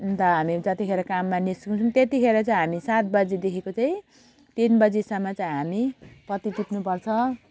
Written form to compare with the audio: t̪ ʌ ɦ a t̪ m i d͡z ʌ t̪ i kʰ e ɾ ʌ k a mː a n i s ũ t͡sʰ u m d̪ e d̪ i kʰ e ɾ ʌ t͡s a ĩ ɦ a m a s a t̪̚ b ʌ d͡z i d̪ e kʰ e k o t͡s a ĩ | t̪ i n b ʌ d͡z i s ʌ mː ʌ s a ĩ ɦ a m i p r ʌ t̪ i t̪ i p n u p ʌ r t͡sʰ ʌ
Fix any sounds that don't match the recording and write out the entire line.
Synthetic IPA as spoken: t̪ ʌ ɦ a m i d͡z ʌ t̪ i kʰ e ɾ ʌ k a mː a n i s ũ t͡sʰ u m t̪ e t̪ i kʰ e ɾ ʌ t͡s a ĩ ɦ a m i s a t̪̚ b ʌ d͡z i d̪ e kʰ e k o t͡s a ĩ | t̪ i n b ʌ d͡z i s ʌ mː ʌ t͡s a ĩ ɦ a m i p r ʌ t̪ i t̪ i p n u p ʌ r t͡sʰ ʌ